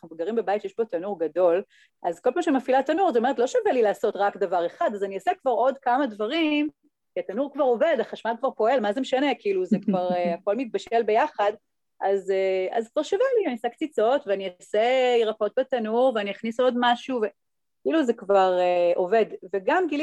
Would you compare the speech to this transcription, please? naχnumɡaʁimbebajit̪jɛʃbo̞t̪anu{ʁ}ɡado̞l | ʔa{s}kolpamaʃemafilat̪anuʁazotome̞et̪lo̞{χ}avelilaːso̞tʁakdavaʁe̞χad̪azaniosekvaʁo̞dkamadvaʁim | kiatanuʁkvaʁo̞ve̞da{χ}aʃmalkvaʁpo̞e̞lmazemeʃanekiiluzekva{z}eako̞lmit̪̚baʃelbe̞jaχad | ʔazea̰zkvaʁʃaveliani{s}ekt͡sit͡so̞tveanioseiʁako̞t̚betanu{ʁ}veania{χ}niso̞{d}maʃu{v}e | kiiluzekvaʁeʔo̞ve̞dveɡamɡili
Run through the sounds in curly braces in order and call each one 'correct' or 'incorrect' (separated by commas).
correct, incorrect, incorrect, correct, incorrect, correct, correct, correct, correct, correct